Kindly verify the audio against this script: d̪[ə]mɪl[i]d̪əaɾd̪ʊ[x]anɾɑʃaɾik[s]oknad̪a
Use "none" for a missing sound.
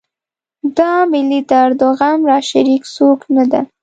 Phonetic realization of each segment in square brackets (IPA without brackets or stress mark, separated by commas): ɑ, i, ɣ, s